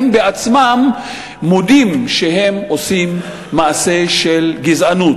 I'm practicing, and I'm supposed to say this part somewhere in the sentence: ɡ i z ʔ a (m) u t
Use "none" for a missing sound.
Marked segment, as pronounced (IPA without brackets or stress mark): n